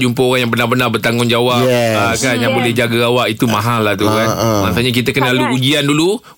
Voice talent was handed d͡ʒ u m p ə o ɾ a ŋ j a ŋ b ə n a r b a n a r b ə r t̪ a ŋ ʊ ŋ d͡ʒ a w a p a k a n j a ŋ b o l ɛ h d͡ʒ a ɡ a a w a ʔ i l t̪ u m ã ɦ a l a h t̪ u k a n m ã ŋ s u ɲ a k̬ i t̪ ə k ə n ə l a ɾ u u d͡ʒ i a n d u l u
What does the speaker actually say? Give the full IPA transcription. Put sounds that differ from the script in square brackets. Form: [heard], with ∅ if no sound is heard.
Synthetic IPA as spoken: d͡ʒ u m p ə o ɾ a ŋ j a ŋ b ə n a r b [ə] n a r b ə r t̪ a ŋ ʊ [n] d͡ʒ a w a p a k a n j a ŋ b o l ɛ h d͡ʒ a ɡ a a w a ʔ i [∅] t̪ u m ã ɦ a l a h t̪ u k a n m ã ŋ s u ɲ a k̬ i t̪ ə k ə n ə l a [l] u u d͡ʒ i a n d u l u